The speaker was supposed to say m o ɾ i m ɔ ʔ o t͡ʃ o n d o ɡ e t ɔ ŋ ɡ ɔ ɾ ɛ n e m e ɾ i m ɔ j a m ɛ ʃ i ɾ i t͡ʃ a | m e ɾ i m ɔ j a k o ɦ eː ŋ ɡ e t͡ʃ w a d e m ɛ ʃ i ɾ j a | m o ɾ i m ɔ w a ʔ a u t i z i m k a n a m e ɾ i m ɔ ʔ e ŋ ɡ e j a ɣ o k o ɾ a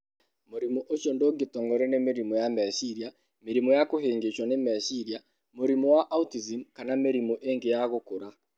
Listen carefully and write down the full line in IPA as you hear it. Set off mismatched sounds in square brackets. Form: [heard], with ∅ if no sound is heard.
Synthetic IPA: m o ɾ i m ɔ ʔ o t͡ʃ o n d o ɡ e t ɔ ŋ ɡ ɔ ɾ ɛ n e m e ɾ i m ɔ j a m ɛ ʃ i ɾ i [∅] a | m e ɾ i m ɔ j a k o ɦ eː ŋ ɡ e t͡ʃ w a [n] e m ɛ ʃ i ɾ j a | m o ɾ i m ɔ w a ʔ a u t i z i m k a n a m e ɾ i m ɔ ʔ e ŋ ɡ e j a ɣ o k o ɾ a